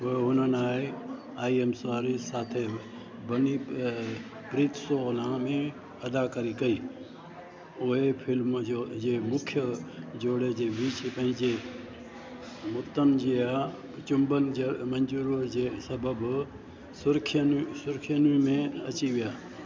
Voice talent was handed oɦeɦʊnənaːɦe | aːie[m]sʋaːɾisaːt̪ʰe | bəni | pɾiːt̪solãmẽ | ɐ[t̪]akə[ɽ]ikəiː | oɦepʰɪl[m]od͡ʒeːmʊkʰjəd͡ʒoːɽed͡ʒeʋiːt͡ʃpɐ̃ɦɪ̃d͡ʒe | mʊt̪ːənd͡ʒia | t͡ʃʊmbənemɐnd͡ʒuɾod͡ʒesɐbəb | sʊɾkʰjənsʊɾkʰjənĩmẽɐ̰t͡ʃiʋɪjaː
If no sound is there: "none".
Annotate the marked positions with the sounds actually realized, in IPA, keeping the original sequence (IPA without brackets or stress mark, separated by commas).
m, d̪, ɾ, m